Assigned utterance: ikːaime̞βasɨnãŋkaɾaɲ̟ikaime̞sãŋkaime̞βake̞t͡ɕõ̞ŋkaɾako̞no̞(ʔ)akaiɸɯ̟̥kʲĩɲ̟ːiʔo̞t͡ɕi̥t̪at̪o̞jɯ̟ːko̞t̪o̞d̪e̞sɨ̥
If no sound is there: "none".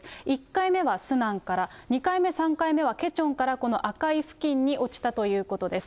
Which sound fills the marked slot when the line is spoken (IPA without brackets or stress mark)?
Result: ʔ